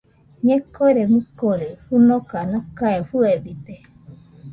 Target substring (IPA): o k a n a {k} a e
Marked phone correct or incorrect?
correct